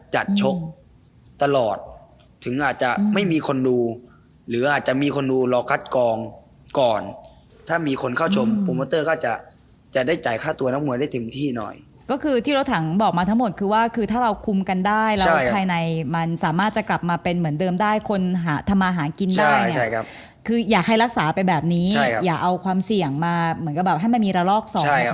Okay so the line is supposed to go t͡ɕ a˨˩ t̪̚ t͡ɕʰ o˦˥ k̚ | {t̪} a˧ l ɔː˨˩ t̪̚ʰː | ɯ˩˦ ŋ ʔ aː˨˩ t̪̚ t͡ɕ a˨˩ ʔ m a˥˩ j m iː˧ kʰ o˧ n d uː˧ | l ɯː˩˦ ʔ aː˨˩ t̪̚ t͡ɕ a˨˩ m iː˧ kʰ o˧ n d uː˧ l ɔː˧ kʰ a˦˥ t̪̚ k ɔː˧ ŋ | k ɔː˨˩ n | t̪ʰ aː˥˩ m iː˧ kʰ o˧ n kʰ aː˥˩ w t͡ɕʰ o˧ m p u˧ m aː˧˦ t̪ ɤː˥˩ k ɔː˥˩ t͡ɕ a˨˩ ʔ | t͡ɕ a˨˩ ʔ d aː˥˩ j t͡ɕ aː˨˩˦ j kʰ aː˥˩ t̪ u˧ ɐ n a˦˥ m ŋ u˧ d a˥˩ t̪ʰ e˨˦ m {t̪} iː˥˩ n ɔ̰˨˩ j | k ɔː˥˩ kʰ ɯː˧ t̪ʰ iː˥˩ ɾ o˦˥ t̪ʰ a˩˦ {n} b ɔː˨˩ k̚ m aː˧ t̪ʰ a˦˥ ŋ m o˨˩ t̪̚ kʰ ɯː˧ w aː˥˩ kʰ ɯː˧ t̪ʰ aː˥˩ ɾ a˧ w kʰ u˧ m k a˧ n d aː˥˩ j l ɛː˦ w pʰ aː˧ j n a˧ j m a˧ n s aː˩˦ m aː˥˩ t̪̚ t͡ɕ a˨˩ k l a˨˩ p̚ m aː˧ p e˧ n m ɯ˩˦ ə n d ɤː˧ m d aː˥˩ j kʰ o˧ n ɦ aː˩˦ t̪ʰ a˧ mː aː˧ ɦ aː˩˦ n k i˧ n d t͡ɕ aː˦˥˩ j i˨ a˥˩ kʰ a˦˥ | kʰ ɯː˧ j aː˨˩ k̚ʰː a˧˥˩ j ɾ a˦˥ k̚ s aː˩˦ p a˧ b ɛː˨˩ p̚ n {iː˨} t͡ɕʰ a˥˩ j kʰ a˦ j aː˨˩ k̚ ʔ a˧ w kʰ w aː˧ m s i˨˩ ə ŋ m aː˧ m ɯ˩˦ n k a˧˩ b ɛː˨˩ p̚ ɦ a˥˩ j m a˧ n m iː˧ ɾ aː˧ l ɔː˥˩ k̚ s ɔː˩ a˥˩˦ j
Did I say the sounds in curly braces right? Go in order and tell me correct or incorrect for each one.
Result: correct, incorrect: t̪ʰ, incorrect: ŋ, incorrect: iː˦˥

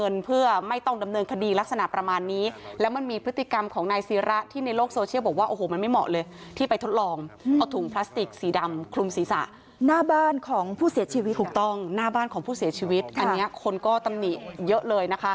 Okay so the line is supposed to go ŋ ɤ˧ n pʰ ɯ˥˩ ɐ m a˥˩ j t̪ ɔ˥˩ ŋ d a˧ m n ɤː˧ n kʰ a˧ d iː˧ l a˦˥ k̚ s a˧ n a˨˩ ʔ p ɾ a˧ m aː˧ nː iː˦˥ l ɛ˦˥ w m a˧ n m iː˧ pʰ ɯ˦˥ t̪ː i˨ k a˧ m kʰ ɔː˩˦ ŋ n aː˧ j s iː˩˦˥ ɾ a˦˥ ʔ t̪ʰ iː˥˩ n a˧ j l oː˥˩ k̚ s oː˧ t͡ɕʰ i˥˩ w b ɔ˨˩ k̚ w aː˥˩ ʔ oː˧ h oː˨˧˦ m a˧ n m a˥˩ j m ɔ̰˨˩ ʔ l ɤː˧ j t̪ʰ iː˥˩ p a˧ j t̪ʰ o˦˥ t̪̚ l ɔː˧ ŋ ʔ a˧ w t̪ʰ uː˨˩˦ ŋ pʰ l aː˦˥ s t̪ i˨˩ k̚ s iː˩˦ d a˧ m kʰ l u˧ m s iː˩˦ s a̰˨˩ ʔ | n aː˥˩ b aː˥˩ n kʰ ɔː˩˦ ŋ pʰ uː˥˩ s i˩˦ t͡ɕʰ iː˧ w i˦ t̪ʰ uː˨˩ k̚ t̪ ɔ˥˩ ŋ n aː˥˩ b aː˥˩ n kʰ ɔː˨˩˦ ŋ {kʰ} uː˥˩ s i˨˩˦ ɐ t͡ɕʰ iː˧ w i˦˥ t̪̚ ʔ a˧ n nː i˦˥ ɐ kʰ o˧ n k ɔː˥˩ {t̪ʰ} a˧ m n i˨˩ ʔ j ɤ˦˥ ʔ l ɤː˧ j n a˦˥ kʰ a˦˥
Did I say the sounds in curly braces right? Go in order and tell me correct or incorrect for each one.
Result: incorrect: pʰ, incorrect: t̪

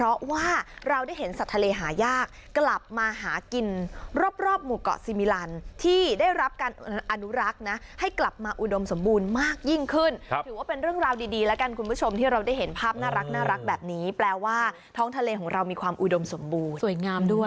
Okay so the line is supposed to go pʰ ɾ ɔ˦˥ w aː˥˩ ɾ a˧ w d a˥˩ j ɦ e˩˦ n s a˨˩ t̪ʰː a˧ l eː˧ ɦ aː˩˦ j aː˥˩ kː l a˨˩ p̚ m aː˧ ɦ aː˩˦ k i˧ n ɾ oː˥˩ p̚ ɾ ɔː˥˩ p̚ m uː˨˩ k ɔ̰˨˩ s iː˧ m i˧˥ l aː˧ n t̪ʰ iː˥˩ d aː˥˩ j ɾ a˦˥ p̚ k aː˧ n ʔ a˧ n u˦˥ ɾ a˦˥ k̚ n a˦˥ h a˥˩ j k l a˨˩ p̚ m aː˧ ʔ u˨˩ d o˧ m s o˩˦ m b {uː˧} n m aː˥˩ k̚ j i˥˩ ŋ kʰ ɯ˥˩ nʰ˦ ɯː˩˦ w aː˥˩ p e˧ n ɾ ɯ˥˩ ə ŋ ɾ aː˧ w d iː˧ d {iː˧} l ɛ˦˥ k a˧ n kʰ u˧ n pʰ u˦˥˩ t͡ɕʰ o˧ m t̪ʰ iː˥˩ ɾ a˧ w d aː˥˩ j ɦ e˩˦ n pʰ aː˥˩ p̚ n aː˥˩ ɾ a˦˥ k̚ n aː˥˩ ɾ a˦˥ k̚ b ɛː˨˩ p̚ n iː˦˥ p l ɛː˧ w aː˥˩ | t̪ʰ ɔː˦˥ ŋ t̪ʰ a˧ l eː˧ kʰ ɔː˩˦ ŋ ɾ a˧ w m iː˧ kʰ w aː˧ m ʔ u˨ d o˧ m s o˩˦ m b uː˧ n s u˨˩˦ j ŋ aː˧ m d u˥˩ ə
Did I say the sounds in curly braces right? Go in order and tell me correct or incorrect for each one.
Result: correct, correct

